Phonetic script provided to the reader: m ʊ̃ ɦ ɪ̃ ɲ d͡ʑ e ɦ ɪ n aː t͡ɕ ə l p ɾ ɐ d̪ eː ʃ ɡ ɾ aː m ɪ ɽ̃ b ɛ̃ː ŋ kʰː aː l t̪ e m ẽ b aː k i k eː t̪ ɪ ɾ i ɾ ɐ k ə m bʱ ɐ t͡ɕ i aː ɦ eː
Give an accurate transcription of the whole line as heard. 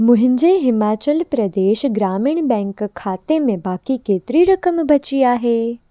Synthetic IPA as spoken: m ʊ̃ ɦ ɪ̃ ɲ d͡ʑ e ɦ ɪ m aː t͡ɕ ə l p ɾ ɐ d̪ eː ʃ ɡ ɾ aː m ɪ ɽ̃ b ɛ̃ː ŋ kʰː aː t̪ e m ẽ b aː k i k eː t̪ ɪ ɾ i ɾ ɐ k ə m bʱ ɐ t͡ɕ i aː ɦ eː

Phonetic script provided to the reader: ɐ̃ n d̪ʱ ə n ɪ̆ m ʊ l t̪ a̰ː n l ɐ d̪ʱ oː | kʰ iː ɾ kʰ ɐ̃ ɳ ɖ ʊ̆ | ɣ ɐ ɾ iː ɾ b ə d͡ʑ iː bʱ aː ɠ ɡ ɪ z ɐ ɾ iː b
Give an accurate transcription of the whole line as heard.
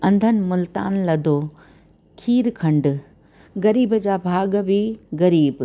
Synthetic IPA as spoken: ɐ̃ n d̪ʱ ə n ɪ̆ m ʊ l t̪ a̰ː n l ɐ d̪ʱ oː | kʰ iː ɾ kʰ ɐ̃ ɳ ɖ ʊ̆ | ɣ ɐ ɾ iː b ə d͡ʑ aː bʱ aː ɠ b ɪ ɣ ɐ ɾ iː b

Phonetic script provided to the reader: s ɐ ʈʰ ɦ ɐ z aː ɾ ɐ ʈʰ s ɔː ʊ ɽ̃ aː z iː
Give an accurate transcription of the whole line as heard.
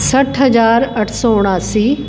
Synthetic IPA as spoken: s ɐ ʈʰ ɦ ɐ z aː ɾ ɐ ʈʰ s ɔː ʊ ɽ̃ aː s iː

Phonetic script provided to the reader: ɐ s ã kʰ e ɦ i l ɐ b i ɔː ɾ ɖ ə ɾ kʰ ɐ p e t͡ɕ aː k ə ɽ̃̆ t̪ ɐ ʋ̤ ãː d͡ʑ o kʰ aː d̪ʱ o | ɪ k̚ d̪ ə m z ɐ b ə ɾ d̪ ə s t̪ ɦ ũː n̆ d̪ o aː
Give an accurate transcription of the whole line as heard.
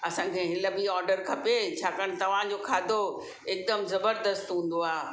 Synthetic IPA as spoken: ɐ s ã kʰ e ɦ ɪ l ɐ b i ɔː ɾ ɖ ə ɾ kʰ ɐ p e t͡ɕʰ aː k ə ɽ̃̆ t̪ ɐ ʋ̤ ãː d͡ʑ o kʰ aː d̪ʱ o | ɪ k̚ d̪ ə m z ɐ b ə ɾ d̪ ə s t̪ ɦ ũː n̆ d̪ o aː

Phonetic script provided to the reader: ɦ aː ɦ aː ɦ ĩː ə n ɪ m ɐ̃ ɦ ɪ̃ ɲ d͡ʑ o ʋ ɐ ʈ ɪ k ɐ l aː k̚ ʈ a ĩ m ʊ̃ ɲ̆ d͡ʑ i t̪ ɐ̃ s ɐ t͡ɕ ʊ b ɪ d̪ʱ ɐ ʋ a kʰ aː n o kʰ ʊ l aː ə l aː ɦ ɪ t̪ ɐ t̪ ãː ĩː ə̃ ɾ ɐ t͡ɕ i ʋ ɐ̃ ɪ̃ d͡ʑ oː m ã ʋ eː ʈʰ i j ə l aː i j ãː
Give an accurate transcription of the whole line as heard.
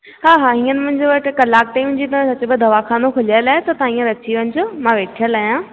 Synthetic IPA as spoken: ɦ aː ɦ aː ɦ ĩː ə n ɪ m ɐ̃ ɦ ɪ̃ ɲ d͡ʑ o ʋ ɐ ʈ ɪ k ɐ l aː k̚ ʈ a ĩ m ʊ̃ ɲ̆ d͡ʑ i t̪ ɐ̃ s ɐ t͡ɕ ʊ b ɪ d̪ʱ ɐ ʋ a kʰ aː n o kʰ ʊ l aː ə l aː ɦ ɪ t̪ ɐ t̪ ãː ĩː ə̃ ɾ ɐ t͡ɕ i ʋ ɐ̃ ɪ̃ d͡ʑ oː m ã ʋ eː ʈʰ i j ə l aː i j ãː

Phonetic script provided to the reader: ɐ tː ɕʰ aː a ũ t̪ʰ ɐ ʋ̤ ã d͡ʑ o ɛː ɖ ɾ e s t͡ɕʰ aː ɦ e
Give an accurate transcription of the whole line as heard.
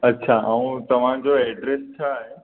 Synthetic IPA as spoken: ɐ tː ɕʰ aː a ũ t̪ ɐ ʋ̤ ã d͡ʑ o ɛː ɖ ɾ e s t͡ɕʰ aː ɦ e

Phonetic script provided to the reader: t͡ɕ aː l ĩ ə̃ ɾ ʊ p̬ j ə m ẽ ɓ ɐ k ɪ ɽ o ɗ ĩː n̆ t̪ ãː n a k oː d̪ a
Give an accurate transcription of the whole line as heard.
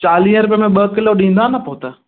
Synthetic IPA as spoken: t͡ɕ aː l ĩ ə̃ ɾ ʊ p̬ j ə m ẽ ɓ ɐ k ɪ l o ɗ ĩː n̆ d̪ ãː n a p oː t̪ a

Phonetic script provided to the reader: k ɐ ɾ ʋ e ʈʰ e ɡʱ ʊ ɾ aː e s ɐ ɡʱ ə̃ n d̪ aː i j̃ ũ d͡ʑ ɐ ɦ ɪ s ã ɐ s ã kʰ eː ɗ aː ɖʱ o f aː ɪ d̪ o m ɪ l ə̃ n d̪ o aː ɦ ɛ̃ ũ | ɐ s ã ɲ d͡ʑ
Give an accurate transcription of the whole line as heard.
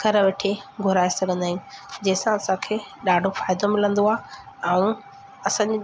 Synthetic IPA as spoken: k ɐ ɾ ʋ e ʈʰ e ɡʱ ʊ ɾ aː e s ɐ ɡʱ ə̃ n d̪ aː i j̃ ũ d͡ʑ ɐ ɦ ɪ s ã ɐ s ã kʰ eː ɗ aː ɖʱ o f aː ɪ d̪ o m ɪ l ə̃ n d̪ o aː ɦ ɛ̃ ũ | ɐ s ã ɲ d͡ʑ

